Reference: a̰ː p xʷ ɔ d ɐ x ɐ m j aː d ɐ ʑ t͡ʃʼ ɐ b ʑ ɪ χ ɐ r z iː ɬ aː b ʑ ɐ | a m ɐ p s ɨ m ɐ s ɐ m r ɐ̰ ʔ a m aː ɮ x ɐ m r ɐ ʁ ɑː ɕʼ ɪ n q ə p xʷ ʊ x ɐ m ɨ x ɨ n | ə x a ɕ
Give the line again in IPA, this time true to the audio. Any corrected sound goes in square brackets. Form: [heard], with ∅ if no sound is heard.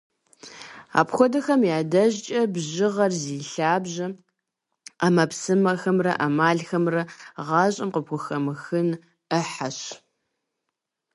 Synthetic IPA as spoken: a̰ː p xʷ ɔ d ɐ x ɐ m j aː d ɐ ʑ t͡ʃʼ ɐ b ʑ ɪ [ʁ] ɐ r z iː ɬ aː b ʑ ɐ | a m ɐ p s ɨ m ɐ [x] ɐ m r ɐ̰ ʔ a m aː ɮ x ɐ m r ɐ ʁ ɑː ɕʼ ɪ [m] q ə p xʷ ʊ x ɐ m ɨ x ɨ n | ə [ħ] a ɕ

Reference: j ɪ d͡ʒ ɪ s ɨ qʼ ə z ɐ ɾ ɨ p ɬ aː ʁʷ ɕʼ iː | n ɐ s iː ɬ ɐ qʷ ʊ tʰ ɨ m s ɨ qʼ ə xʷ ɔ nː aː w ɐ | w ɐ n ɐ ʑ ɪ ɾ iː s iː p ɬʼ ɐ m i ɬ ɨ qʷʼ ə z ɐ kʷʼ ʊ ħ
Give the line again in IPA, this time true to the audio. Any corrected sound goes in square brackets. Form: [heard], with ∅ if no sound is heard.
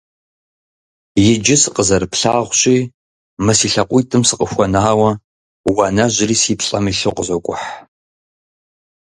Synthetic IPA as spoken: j ɪ d͡ʒ ɪ s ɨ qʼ ə z ɐ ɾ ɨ p ɬ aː ʁʷ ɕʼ iː | [m] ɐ s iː ɬ ɐ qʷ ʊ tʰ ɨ m s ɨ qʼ ə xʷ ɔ [n] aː w ɐ | w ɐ n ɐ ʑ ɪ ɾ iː s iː p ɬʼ ɐ m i ɬ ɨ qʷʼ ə z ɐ kʷʼ ʊ ħ

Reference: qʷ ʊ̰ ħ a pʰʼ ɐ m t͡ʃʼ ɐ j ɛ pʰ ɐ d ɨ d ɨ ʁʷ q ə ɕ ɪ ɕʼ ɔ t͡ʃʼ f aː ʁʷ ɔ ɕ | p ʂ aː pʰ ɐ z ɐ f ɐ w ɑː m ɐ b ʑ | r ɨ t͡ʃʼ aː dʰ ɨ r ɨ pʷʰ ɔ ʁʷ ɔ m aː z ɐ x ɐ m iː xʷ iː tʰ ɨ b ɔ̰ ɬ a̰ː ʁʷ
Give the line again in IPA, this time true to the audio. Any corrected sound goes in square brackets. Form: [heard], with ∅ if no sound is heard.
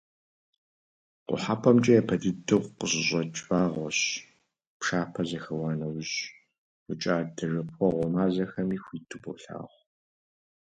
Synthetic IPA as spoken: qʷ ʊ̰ ħ a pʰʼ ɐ m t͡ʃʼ ɐ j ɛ pʰ ɐ d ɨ d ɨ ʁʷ q ə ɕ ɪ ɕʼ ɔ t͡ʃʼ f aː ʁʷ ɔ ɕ | p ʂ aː pʰ ɐ z ɐ [x] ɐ w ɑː [n] ɐ [w] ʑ | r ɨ t͡ʃʼ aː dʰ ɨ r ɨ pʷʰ ɔ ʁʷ ɔ m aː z ɐ x ɐ m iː xʷ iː tʰ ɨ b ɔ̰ ɬ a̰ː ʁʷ

